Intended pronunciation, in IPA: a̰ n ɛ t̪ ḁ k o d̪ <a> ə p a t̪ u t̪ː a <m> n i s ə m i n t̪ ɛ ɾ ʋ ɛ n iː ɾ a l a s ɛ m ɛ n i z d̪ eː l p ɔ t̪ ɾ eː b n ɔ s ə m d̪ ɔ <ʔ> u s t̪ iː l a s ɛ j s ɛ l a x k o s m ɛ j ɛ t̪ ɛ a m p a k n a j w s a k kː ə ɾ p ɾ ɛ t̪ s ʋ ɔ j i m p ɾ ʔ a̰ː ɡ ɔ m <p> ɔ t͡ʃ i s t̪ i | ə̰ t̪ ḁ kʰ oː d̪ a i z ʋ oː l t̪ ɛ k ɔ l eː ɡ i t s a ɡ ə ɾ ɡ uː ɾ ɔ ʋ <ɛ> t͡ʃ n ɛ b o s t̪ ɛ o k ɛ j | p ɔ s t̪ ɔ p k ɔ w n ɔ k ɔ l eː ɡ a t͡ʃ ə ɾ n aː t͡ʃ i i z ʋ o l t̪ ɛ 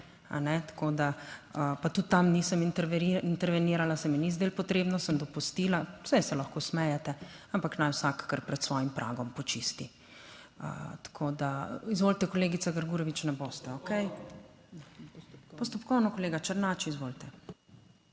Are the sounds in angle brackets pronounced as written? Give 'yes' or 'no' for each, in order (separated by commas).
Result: yes, yes, no, yes, no